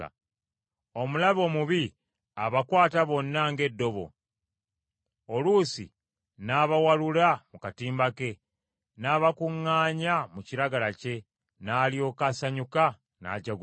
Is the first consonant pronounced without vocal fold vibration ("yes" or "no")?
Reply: no